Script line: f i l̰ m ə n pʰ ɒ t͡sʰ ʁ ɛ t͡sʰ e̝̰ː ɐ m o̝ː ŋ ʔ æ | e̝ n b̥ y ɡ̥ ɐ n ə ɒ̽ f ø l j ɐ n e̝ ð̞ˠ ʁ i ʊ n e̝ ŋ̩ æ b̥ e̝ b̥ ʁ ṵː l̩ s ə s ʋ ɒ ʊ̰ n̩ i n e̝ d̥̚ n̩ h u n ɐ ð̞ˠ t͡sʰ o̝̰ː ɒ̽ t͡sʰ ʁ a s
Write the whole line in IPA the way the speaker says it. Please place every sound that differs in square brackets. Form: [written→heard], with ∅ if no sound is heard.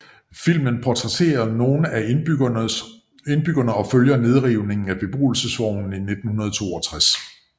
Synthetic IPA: f i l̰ m ə n pʰ ɒ t͡sʰ ʁ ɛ t͡sʰ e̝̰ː ɐ [m→n] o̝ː [ŋ→n] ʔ æ | e̝ n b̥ y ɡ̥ ɐ n ə ɒ̽ f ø l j ɐ n e̝ ð̞ˠ ʁ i ʊ n e̝ ŋ̩ æ b̥ e̝ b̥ ʁ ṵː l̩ s ə s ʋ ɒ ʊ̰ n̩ i n e̝ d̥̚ n̩ h u n ɐ ð̞ˠ t͡sʰ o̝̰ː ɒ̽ t͡sʰ ʁ a s